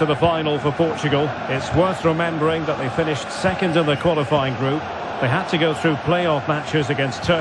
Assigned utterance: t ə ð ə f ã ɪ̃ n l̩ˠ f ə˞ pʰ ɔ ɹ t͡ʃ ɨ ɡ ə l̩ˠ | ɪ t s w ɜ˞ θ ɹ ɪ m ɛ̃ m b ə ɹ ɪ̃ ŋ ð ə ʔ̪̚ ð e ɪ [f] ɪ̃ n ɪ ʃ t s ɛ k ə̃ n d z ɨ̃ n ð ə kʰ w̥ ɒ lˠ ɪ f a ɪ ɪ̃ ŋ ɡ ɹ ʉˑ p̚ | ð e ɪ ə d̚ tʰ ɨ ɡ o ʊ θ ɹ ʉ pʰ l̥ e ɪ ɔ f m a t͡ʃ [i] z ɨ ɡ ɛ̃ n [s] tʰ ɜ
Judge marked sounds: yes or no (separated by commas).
yes, no, yes